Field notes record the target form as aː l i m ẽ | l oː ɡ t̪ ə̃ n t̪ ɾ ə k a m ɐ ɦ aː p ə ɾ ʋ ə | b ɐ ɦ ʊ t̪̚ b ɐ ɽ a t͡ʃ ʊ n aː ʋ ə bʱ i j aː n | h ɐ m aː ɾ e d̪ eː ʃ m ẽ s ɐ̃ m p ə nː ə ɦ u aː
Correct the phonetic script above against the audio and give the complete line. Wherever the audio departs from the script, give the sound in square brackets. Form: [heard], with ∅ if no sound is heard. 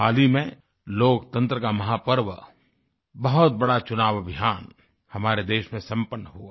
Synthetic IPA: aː l i m ẽ | l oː [k] t̪ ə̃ n t̪ ɾ ə k a m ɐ ɦ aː p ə ɾ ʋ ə | b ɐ ɦ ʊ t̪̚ b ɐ ɽ a t͡ʃ ʊ n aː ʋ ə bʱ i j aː n | h ɐ m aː ɾ e d̪ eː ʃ m ẽ s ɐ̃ m p ə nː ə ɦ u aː

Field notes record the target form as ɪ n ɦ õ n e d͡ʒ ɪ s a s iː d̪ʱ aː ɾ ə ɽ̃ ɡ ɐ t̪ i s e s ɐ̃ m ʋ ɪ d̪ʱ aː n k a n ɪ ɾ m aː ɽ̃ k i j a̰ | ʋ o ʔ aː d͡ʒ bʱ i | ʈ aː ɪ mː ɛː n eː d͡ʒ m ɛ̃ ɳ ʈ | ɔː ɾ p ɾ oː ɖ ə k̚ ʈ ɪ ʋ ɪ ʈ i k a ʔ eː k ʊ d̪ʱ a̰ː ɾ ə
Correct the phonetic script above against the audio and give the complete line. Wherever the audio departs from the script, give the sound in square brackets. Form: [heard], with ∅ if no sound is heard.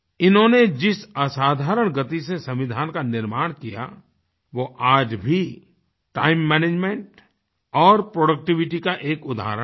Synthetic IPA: ɪ n ɦ õ n e d͡ʒ ɪ s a s [aː] d̪ʱ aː ɾ ə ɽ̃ ɡ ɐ t̪ i s e s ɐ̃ m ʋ ɪ d̪ʱ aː n k a n ɪ ɾ m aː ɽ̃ k i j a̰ | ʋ o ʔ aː d͡ʒ bʱ i | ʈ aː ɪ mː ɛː n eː d͡ʒ m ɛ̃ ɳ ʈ | ɔː ɾ p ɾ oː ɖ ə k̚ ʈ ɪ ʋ ɪ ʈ i k a ʔ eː k ʊ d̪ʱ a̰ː ɾ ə

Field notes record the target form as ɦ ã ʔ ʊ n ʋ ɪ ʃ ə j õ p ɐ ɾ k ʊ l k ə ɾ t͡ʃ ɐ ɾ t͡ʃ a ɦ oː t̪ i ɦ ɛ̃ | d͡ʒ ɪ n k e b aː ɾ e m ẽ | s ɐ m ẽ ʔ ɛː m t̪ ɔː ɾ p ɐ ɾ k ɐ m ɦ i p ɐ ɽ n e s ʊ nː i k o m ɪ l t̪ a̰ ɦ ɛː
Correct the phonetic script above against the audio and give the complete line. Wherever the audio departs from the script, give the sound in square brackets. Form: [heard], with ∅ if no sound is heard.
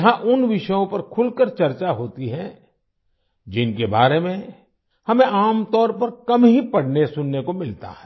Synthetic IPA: ɦ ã ʔ ʊ n ʋ ɪ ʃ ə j õ p ɐ ɾ [kʰ] ʊ l k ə ɾ t͡ʃ ɐ ɾ t͡ʃ a ɦ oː t̪ i ɦ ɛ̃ | d͡ʒ ɪ n k e b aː ɾ e m ẽ | [h] ɐ m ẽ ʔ [aː] m t̪ ɔː ɾ p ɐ ɾ k ɐ m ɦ i p ɐ ɽ n e s ʊ nː [e] k o m ɪ l t̪ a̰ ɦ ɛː

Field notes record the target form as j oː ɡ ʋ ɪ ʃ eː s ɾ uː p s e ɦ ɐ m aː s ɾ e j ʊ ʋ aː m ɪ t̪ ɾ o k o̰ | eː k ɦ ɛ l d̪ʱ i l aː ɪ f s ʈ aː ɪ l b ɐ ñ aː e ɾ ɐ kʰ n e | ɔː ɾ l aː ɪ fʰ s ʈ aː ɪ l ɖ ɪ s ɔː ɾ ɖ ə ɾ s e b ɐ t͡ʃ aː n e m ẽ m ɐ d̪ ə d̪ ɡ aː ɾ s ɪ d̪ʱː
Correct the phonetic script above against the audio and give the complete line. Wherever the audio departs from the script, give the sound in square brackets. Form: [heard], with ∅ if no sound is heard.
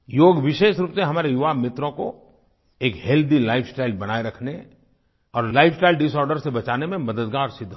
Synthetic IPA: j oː ɡ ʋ ɪ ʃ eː [ʃ] ɾ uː p s e ɦ ɐ m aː [∅] ɾ e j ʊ ʋ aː m ɪ t̪ ɾ [õ] k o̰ | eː k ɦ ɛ l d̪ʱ i l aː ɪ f s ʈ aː ɪ l b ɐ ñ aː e ɾ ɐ kʰ n e | ɔː ɾ l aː ɪ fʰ s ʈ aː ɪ l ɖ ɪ s ɔː ɾ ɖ ə ɾ s e b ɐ t͡ʃ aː n e m ẽ m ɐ d̪ ə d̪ ɡ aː ɾ s ɪ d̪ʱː

